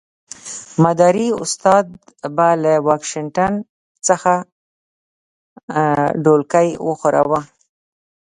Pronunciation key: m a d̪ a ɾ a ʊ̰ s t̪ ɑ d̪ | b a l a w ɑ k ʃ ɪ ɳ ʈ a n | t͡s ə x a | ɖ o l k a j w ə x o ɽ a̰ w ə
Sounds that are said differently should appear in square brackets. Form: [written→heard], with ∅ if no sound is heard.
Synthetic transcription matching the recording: m a d̪ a ɾ [a→i] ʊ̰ s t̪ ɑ d̪ | b a l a w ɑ k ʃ ɪ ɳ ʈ a n | t͡s ə x a | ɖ o l k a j w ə x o [ɽ→ɾ] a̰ w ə